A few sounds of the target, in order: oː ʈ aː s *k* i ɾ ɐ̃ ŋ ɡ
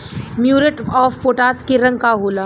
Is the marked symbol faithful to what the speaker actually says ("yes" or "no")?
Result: yes